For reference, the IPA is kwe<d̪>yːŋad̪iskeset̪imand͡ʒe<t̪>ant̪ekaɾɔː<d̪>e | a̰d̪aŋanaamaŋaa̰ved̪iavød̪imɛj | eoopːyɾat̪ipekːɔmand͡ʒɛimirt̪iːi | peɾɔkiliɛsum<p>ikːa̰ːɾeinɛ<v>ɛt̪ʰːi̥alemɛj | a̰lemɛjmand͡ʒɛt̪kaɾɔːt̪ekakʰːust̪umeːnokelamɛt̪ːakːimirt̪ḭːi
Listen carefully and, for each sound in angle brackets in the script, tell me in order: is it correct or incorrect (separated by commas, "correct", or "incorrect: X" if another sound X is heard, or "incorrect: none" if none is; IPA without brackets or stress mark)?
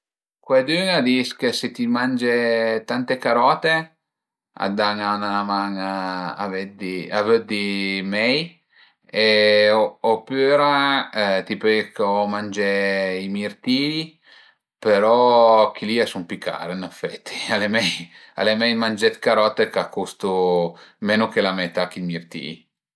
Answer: correct, correct, incorrect: t̪, correct, incorrect: f